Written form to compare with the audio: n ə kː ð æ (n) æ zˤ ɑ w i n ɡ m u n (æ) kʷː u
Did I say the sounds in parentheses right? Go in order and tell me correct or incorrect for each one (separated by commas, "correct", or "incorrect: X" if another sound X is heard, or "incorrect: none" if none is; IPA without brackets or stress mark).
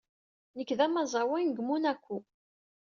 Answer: incorrect: m, correct